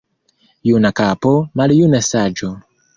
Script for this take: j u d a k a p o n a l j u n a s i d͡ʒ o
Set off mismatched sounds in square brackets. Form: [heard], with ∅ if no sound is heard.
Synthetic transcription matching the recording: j u [n] a k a p o [m] a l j u n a s [a] d͡ʒ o